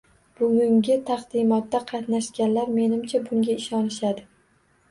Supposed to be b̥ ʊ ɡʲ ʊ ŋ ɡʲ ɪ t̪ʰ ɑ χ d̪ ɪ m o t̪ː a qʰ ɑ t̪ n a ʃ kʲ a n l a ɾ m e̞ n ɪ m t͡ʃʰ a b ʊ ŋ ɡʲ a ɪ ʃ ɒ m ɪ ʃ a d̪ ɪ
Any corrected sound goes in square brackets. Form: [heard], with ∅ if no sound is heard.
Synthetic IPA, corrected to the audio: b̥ ʊ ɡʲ ʊ ŋ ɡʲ ɪ t̪ʰ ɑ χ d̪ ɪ m [ɒ] t̪ː a qʰ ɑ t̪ n a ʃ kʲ a n l a ɾ m e̞ n ɪ m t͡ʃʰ a b ʊ ŋ ɡʲ a ɪ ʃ ɒ [n] ɪ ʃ a d̪ ɪ